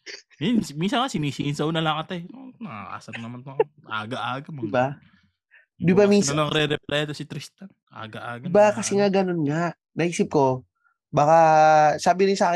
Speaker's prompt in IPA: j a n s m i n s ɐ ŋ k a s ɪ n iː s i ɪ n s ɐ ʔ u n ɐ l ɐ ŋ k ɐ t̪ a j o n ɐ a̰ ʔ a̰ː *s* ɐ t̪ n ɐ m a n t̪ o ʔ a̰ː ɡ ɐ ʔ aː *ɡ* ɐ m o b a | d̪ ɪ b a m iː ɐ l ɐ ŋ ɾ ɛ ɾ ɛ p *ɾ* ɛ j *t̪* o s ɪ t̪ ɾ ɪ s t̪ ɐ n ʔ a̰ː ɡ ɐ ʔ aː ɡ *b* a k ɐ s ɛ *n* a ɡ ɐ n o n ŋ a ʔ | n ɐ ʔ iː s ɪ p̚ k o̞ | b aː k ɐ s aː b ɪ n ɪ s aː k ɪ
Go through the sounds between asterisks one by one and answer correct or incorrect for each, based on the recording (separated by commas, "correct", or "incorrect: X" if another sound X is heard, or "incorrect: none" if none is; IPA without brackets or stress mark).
correct, correct, incorrect: l, correct, correct, incorrect: ŋ